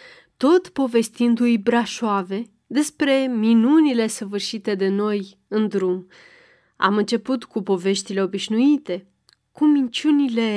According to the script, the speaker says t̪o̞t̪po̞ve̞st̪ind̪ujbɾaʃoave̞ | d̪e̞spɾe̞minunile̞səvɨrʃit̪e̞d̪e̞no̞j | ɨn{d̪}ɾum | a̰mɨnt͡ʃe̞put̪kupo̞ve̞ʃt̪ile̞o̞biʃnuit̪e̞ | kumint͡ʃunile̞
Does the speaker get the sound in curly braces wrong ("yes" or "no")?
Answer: no